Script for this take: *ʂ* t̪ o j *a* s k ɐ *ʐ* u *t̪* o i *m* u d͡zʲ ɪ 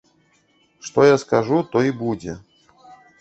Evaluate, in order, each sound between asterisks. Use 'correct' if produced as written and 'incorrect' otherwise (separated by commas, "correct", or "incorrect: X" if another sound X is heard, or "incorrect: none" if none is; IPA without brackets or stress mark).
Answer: correct, correct, correct, correct, incorrect: b